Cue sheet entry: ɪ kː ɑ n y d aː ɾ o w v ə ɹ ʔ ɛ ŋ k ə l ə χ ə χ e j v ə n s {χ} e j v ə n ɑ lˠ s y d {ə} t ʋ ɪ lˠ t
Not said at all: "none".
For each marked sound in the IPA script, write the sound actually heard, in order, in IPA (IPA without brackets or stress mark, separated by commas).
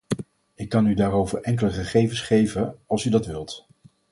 χ, ɑ